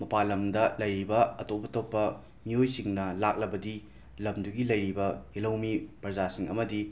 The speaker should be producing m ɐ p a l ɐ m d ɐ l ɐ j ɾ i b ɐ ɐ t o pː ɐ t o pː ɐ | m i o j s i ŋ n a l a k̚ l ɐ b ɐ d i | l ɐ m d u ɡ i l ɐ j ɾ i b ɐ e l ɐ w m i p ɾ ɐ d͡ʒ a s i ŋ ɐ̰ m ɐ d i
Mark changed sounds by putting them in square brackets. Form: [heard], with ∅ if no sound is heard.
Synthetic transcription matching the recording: m ɐ p a l ɐ m d ɐ l ɐ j ɾ i b ɐ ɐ t o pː ɐ t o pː ɐ | m i o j s i ŋ n [ɐ] l a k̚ l ɐ b ɐ d i | l ɐ m d u ɡ i l ɐ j ɾ i b ɐ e l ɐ w m i p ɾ ɐ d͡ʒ a s i ŋ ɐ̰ m ɐ d i